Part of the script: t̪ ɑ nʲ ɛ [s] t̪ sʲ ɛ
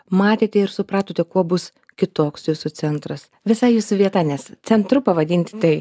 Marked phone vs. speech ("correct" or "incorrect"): correct